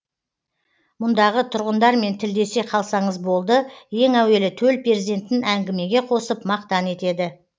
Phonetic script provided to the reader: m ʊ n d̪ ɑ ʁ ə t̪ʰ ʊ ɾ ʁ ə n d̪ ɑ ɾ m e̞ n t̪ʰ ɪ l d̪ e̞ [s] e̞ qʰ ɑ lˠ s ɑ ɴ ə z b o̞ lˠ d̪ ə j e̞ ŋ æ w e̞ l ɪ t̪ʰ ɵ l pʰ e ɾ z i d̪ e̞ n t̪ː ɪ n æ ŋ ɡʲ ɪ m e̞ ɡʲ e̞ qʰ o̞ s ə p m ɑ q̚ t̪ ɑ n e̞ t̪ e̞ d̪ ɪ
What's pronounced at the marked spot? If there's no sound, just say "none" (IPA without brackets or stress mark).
s